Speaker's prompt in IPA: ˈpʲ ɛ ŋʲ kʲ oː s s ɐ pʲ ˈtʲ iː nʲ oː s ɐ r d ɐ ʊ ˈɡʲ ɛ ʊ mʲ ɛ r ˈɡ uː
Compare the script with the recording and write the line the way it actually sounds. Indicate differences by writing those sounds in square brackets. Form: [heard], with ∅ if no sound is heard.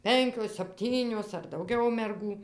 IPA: ˈpʲ ɛ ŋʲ kʲ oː s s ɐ pʲ ˈtʲ iː nʲ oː s ɐ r d ɐ ʊ ˈɡʲ ɛ ʊ mʲ ɛ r ˈɡ uː